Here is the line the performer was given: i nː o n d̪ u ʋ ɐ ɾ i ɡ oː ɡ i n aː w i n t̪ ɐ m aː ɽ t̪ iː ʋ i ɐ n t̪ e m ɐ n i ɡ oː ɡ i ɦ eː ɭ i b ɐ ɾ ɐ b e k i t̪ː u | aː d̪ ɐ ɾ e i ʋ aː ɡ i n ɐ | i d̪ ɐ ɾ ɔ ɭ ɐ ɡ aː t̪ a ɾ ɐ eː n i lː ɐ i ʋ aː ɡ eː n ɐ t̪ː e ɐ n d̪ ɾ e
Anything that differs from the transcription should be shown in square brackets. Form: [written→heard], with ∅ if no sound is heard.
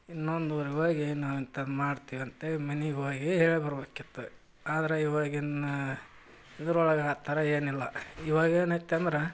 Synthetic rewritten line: i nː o n d̪ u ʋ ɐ ɾ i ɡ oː ɡ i n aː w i n t̪ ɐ m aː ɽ t̪ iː ʋ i ɐ n t̪ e m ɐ n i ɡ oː ɡ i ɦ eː ɭ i b ɐ ɾ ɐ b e k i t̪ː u | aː d̪ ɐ ɾ e i ʋ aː ɡ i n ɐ | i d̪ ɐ ɾ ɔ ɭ ɐ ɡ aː t̪ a ɾ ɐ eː n i lː ɐ i ʋ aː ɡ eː n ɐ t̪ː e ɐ n d̪ ɾ e